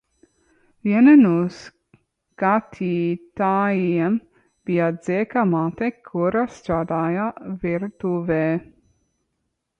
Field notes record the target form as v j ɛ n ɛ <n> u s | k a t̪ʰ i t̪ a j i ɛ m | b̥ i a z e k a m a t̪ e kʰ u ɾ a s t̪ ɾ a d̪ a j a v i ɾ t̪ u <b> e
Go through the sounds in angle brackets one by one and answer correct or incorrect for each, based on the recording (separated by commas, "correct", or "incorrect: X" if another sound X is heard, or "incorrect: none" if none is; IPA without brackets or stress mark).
correct, incorrect: v